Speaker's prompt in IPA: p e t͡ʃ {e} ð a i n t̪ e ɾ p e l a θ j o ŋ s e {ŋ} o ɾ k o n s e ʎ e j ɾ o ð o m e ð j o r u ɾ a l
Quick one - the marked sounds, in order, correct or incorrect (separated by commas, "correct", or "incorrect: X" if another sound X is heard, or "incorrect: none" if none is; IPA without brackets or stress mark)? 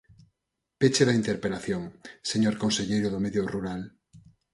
correct, incorrect: ɲ